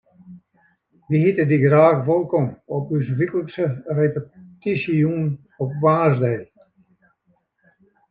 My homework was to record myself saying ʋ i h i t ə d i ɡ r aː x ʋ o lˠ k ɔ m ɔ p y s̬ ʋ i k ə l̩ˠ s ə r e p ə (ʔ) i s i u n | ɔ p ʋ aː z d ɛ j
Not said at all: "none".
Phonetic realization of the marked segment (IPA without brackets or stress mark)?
t